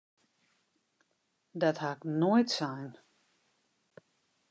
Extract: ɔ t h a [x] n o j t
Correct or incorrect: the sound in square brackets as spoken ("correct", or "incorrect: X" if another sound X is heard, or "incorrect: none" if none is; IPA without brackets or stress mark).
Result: incorrect: k